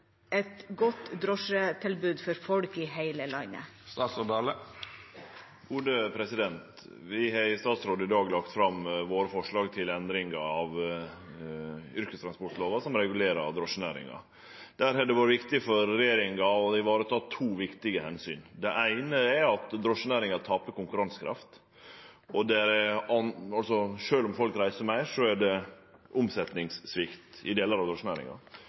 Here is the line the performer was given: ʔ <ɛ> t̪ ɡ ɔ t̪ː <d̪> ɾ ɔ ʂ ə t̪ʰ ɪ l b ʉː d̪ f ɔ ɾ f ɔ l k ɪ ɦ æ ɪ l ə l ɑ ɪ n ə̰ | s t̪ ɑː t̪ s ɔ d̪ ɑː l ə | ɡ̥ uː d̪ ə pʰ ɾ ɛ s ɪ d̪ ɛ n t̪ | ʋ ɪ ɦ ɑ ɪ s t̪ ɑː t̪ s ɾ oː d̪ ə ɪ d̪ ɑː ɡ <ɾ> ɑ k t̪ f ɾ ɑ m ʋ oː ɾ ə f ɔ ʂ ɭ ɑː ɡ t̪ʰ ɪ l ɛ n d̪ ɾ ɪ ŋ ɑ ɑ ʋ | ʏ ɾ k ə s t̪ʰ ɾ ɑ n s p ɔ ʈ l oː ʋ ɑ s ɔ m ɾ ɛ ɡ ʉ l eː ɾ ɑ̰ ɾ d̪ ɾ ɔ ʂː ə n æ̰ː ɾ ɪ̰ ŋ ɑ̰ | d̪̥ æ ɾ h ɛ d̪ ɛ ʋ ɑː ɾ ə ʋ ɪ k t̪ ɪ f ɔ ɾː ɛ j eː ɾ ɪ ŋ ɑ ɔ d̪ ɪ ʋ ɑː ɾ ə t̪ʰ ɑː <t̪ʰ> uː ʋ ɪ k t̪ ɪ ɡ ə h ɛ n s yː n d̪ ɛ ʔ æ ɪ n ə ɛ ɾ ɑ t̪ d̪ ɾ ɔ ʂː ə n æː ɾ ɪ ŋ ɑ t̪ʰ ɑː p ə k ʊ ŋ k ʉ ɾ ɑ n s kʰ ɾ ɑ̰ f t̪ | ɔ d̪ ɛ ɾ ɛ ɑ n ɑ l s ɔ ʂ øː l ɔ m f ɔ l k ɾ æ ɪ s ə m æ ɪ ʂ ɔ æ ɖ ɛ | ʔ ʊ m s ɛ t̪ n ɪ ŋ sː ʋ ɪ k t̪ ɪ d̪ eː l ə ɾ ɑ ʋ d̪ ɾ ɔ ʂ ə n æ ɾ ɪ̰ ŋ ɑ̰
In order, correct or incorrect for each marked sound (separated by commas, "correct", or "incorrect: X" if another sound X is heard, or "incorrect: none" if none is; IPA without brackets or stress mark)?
correct, correct, incorrect: l, correct